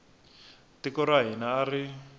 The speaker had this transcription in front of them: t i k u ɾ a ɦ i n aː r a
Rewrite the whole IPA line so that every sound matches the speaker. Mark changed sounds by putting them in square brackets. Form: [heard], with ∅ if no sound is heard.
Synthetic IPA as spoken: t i k [ɔ] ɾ a ɦ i n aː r [i]